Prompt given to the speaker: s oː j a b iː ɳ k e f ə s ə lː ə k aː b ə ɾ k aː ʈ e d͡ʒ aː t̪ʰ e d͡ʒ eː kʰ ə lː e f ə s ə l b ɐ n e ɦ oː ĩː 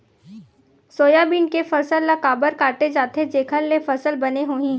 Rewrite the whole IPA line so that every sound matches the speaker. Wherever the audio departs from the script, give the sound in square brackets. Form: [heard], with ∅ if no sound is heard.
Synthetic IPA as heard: s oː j a b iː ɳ k e f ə s ə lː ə k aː b ə ɾ k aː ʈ e d͡ʒ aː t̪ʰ e d͡ʒ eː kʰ ə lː e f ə s ə l b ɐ n e ɦ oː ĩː